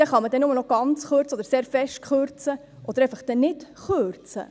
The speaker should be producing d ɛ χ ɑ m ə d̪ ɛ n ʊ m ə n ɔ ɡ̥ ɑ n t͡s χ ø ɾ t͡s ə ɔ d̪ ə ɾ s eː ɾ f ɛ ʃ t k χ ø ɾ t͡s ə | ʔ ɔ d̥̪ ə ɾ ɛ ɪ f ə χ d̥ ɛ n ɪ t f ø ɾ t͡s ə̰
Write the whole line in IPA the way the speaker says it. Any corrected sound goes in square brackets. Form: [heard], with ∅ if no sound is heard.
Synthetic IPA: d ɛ χ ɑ m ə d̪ ɛ n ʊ m ə n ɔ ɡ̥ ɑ n t͡s χ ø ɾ t͡s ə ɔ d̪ ə ɾ s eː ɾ f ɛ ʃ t k χ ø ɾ t͡s ə | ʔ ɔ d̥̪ ə ɾ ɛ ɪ f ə χ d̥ ɛ n ɪ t [χ] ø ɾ t͡s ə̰